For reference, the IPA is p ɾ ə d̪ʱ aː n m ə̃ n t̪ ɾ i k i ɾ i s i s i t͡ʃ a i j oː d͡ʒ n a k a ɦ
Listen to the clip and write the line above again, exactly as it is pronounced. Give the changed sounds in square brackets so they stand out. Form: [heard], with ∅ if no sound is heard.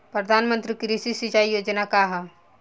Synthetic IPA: p ɾ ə d̪ʱ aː n m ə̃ n t̪ ɾ i k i ɾ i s i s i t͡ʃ a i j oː d͡ʒ n a k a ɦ